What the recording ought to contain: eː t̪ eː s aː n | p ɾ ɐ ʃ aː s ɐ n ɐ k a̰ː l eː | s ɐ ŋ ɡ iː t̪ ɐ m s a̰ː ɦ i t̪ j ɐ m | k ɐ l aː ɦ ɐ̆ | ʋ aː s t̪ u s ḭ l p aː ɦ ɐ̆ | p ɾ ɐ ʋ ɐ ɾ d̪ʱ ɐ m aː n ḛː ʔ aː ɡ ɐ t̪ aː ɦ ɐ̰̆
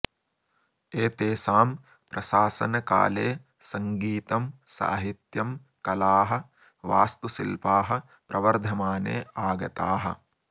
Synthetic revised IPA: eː t̪ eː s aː m | p ɾ ɐ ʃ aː s ɐ n ɐ k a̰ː l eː | s ɐ ŋ ɡ iː t̪ ɐ m s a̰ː ɦ i t̪ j ɐ m | k ɐ l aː ɦ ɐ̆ | ʋ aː s t̪ u s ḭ l p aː ɦ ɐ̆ | p ɾ ɐ ʋ ɐ ɾ d̪ʱ ɐ m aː n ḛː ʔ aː ɡ ɐ t̪ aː ɦ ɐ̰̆